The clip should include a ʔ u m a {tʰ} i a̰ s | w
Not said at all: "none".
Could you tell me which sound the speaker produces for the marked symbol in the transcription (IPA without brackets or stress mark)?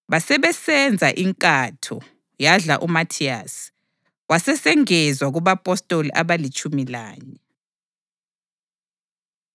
tʰ